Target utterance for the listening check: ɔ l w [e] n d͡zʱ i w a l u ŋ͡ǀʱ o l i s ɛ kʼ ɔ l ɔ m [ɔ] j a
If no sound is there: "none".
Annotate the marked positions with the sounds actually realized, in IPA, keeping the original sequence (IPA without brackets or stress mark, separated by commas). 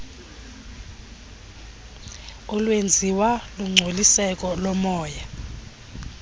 e, ɔː